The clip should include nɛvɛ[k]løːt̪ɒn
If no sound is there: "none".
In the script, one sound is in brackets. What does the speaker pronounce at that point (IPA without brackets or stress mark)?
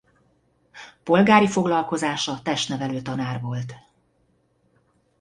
none